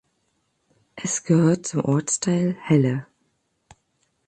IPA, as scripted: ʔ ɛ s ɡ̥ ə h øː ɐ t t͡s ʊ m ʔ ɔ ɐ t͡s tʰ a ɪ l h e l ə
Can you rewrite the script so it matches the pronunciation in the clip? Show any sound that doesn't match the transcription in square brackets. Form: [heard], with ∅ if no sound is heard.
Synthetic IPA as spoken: ʔ ɛ s ɡ̥ ə h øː ɐ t t͡s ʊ m ʔ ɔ ɐ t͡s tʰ a ɪ l h [ɛ] l ə